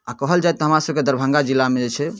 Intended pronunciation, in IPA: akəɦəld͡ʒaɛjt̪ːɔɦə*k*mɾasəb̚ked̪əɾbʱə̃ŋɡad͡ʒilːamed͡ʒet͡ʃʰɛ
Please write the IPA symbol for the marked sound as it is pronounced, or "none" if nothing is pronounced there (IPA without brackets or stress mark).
none